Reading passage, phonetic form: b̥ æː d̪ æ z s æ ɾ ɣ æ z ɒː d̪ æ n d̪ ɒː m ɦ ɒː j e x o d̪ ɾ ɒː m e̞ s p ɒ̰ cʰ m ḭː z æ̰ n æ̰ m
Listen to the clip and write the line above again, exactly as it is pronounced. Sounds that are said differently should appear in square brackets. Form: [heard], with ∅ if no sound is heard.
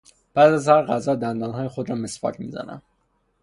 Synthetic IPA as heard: b̥ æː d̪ æ z [h] æ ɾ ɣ æ z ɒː d̪ æ n d̪ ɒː [n] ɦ ɒː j e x o d̪ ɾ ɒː m e̞ s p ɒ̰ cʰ m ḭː z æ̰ n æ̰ m